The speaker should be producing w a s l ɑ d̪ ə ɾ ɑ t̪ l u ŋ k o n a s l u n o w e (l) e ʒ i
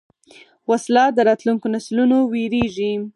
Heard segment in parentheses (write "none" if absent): ɾ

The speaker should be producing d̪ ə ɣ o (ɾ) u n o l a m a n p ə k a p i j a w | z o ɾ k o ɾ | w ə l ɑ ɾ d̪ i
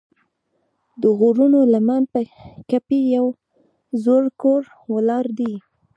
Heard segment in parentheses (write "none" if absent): ɾ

